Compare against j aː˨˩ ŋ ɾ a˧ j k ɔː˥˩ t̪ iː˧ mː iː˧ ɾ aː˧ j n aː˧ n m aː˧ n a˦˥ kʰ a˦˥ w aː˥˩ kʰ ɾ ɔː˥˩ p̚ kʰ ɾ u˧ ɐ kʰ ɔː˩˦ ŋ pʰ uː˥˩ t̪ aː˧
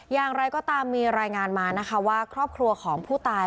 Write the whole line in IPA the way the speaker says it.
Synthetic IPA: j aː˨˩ ŋ ɾ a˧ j k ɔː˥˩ t̪ aː˧ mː iː˧ ɾ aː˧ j ŋ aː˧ n m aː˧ n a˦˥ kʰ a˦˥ w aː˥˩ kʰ ɾ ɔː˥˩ p̚ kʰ ɾ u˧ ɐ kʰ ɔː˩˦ ŋ pʰ uː˥˩ t̪ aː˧